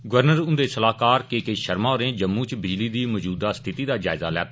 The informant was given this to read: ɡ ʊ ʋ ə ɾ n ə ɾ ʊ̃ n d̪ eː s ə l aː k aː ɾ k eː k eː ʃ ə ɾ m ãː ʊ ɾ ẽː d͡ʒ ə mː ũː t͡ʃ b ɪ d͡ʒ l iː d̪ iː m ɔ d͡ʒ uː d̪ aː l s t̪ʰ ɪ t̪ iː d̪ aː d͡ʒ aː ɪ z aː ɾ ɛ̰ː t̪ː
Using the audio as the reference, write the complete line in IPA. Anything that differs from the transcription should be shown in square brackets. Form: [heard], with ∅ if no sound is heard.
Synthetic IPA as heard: ɡ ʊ ʋ ə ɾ n ə ɾ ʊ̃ n d̪ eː s ə l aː k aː ɾ k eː k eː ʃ ə ɾ m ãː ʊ ɾ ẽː d͡ʒ ə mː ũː t͡ʃ b ɪ d͡ʒ l iː d̪ iː m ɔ d͡ʒ uː d̪ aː [∅] s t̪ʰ ɪ t̪ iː d̪ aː d͡ʒ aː ɪ z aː [l] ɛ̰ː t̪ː